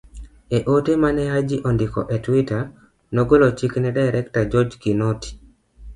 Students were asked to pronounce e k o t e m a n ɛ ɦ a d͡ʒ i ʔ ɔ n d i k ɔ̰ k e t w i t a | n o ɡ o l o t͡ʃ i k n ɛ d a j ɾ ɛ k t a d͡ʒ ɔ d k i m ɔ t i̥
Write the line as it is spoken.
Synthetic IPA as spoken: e ʔ o t e m a n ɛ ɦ a d͡ʒ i ʔ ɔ n d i k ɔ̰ ʔ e t w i t a | n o ɡ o l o t͡ʃ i k n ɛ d a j ɾ ɛ k t a d͡ʒ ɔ d͡ʒ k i n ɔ t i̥